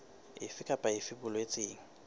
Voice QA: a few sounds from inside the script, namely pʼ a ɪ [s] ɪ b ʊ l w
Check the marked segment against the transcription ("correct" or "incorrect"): incorrect